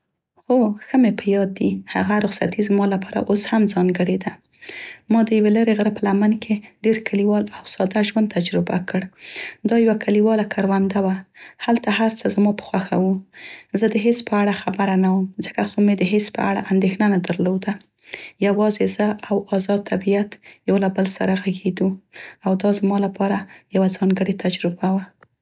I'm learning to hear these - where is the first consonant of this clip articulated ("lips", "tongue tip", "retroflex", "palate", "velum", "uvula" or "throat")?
velum